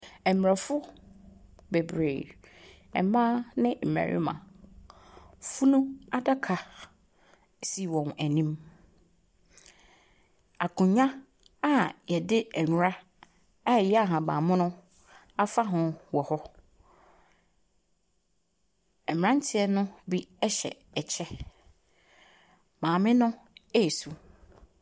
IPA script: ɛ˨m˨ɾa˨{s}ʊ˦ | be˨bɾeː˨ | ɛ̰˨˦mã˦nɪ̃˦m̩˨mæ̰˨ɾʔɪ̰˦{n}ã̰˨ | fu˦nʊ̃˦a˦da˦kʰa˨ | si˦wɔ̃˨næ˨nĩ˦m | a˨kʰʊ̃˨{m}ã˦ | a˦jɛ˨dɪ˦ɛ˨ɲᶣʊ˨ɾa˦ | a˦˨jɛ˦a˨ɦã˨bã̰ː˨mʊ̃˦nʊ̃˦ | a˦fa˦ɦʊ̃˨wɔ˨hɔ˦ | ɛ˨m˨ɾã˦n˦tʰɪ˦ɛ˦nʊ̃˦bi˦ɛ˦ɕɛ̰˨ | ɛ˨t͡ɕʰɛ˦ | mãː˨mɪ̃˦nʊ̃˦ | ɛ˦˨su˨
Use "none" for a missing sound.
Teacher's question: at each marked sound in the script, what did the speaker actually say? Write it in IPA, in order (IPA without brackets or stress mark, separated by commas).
f, m, ɲ